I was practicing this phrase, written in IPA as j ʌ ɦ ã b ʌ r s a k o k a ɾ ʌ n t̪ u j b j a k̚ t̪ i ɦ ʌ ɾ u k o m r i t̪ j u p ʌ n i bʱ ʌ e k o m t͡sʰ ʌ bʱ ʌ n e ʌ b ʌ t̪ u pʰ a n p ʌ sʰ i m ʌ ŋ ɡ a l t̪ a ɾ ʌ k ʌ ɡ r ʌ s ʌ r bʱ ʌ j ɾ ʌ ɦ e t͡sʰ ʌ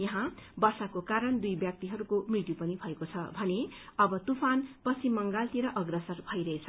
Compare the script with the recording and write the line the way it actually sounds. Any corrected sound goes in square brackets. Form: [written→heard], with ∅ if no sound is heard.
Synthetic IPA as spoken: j ʌ ɦ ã b ʌ r s a k o k a ɾ ʌ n [t̪→d̪] u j b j a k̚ t̪ i ɦ ʌ ɾ u k o m r i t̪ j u p ʌ n i bʱ ʌ e k o [m→∅] t͡sʰ ʌ bʱ ʌ n e ʌ b ʌ t̪ u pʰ a n p ʌ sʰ i m ʌ ŋ ɡ a l t̪ [a→i] ɾ ʌ [k→ʔ] ʌ ɡ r ʌ s ʌ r bʱ ʌ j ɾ ʌ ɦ e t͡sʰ ʌ